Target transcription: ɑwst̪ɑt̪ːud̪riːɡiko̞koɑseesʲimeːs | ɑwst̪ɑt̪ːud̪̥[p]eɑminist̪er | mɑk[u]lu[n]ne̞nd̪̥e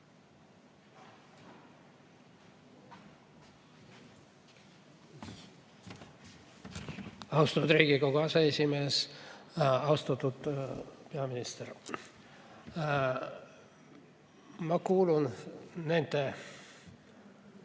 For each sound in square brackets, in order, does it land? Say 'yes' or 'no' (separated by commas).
yes, no, yes